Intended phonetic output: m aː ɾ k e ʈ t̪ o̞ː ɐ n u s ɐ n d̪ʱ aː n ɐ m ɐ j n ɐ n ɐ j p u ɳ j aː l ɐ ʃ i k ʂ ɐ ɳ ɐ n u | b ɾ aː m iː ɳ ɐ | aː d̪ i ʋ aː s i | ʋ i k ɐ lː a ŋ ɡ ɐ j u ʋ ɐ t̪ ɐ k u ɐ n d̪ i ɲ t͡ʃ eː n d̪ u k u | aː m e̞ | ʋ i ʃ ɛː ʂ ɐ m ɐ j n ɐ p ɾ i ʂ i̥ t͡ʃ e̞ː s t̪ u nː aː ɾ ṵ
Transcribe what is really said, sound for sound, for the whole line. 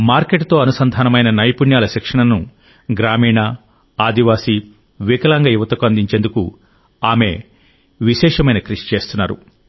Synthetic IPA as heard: m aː ɾ k e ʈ t̪ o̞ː ɐ n u s ɐ n d̪ʱ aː n ɐ m ɐ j n ɐ n ɐ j p u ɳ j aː l ɐ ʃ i k ʂ ɐ ɳ ɐ n u | ɡ ɾ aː m iː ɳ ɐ | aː d̪ i ʋ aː s i | ʋ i k ɐ l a ŋ ɡ ɐ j u ʋ ɐ t̪ ɐ k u ɐ n d̪ i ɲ t͡ʃ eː n d̪ u k u | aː m e̞ | ʋ i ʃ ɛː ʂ ɐ m ɐ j n ɐ k ɾ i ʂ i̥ t͡ʃ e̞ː s t̪ u nː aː ɾ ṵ